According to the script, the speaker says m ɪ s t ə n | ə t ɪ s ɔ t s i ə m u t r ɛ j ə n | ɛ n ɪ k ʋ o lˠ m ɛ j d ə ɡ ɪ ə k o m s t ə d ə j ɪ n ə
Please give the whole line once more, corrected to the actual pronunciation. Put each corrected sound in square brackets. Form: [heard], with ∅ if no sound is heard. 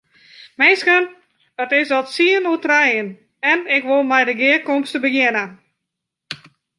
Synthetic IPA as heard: m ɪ s [k] ə n | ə t ɪ s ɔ t s i ə [n] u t r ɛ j ə n | ɛ n ɪ k ʋ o lˠ m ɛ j d ə ɡ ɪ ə k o m s t ə [b] ə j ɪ n ə